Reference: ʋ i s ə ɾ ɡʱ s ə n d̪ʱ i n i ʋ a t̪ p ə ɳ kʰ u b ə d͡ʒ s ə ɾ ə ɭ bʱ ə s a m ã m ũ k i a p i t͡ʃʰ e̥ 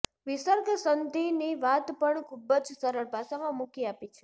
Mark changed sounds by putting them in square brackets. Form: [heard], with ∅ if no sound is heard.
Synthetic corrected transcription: ʋ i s ə ɾ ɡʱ s ə n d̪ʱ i n i ʋ a t̪ p ə ɳ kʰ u b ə d͡ʒ s ə ɾ ə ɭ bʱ [a] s a m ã m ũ k i a p i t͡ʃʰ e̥